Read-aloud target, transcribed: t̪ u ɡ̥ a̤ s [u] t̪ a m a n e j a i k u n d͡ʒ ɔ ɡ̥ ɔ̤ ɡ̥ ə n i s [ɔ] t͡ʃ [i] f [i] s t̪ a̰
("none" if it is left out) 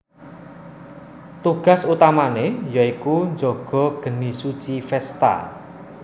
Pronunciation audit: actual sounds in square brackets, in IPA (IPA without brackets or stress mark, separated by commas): u, u, i, ɛ